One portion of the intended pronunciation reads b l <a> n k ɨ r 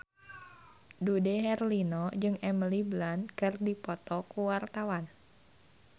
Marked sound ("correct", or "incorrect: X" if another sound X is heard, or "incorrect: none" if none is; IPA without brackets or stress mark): correct